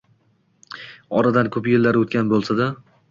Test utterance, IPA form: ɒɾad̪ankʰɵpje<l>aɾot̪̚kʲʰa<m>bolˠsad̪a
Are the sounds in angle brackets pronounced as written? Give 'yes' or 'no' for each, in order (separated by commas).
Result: no, no